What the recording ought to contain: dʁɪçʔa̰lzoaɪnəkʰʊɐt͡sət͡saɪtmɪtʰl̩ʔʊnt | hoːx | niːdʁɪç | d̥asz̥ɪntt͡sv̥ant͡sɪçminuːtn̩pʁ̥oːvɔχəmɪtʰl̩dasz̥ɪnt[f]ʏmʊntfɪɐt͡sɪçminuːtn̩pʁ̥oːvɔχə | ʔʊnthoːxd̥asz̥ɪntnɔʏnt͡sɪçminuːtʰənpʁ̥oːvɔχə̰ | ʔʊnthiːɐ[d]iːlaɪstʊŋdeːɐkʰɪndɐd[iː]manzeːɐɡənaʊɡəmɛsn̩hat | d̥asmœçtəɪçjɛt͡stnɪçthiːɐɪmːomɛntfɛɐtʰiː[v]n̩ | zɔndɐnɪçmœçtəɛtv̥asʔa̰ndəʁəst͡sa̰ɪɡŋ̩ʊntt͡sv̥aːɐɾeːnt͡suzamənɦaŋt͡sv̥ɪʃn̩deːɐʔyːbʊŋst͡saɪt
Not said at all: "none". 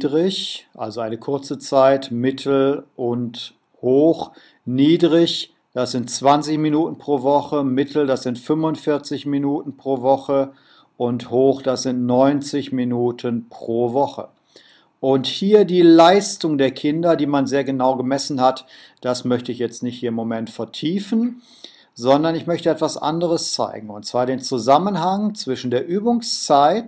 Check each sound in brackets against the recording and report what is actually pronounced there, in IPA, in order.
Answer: f, d, iː, f

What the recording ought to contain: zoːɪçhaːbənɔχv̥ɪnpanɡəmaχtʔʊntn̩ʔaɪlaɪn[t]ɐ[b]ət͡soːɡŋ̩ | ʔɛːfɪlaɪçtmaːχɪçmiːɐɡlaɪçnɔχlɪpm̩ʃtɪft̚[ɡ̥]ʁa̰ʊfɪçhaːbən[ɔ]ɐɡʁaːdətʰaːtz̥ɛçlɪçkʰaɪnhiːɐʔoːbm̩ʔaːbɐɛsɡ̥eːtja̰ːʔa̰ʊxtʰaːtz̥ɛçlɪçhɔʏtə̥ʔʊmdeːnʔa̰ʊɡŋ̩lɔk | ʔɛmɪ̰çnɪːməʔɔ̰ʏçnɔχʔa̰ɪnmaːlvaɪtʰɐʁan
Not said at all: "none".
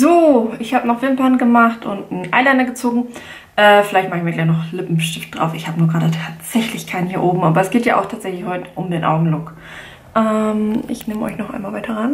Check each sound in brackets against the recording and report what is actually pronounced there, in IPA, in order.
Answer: d, ɡ, d̥, u

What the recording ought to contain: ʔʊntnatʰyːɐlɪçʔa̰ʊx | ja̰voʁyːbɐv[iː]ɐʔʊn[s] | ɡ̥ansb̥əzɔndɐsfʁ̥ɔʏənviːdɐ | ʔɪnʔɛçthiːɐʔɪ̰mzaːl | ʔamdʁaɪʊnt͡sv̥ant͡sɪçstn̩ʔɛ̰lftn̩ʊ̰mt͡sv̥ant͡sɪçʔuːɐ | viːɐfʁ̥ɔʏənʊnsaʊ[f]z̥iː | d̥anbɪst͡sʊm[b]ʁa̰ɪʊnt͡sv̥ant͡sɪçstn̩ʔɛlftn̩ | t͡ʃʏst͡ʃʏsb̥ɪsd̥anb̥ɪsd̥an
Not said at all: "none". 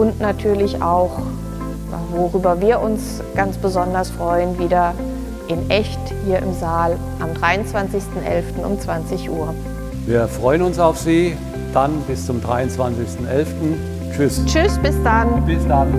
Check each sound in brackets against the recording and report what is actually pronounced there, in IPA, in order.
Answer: iː, s, f, d

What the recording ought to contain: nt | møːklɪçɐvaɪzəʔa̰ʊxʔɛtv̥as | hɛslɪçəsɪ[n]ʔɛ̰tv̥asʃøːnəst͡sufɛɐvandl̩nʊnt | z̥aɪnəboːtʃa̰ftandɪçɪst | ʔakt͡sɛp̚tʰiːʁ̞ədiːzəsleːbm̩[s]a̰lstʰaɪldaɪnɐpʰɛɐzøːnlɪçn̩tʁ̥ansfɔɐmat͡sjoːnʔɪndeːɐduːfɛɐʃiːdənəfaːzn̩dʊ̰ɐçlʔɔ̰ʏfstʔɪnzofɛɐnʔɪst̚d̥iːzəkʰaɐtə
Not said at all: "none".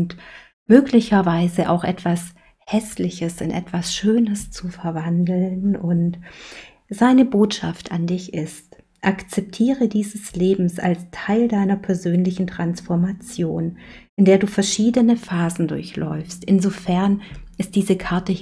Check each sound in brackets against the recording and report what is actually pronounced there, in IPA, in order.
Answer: n, s

